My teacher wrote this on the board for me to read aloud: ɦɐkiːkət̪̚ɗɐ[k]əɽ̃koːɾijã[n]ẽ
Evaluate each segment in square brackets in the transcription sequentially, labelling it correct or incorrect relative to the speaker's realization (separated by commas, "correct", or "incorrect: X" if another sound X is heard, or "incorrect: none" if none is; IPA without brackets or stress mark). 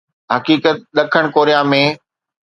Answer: incorrect: kʰ, incorrect: m